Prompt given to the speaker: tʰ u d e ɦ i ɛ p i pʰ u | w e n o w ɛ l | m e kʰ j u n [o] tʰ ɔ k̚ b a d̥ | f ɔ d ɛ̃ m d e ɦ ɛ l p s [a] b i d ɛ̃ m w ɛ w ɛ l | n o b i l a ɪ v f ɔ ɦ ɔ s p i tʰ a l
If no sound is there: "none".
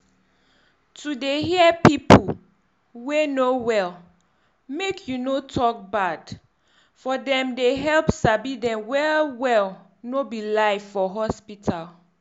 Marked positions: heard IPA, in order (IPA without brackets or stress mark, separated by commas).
o, a